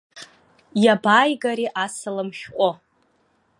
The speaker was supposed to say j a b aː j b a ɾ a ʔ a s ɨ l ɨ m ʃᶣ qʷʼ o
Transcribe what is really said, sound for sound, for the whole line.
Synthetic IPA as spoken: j a b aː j ɡ a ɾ i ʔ a s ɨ l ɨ m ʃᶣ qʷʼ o